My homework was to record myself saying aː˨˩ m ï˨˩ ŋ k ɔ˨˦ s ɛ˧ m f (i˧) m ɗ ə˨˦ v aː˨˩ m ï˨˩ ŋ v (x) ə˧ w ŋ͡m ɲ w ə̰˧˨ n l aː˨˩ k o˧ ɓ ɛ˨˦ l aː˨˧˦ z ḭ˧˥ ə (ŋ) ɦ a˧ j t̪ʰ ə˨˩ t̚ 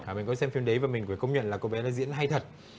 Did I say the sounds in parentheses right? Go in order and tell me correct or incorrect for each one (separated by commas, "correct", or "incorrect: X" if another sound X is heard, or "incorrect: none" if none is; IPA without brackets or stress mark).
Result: correct, incorrect: k, incorrect: n